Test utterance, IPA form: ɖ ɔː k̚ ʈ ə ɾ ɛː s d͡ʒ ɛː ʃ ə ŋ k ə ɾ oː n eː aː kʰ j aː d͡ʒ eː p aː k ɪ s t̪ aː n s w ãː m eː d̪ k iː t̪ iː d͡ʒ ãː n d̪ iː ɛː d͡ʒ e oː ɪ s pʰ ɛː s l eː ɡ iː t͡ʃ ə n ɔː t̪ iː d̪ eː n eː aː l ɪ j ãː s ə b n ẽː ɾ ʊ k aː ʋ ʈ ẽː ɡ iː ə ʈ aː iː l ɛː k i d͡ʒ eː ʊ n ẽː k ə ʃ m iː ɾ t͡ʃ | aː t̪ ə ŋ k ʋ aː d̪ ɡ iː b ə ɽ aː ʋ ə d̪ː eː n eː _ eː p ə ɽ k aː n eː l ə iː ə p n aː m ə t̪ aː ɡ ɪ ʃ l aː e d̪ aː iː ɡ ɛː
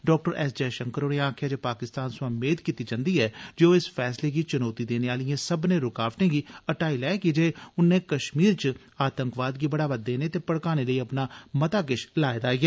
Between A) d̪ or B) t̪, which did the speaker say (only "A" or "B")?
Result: B